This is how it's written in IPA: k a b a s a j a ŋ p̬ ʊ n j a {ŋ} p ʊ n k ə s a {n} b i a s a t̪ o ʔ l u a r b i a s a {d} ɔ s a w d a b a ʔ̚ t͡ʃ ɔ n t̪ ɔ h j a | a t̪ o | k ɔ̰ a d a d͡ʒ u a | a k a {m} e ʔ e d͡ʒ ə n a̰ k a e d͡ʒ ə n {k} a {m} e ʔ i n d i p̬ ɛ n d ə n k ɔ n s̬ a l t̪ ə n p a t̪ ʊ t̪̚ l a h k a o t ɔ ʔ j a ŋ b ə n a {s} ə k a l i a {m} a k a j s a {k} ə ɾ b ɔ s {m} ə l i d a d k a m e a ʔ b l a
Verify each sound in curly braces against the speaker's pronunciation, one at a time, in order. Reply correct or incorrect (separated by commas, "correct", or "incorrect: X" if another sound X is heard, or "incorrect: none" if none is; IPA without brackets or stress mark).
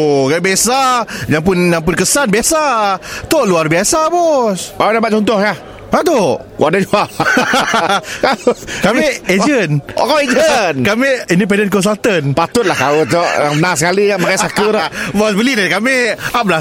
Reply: correct, correct, incorrect: b, correct, correct, correct, correct, correct, correct, incorrect: b